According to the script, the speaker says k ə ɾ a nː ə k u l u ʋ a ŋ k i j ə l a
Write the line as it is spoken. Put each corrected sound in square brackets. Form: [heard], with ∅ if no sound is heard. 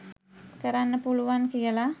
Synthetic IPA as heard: k ə ɾ a nː ə [p] u l u ʋ a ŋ k i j ə l a